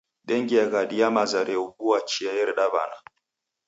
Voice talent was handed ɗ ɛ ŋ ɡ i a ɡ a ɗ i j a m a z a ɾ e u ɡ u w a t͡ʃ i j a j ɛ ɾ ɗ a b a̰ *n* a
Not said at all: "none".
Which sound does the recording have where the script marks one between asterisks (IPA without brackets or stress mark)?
n